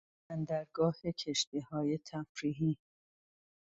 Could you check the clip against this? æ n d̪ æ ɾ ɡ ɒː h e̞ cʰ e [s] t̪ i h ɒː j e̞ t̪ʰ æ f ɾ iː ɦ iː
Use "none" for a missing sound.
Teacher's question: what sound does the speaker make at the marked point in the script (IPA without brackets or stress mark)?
ʃ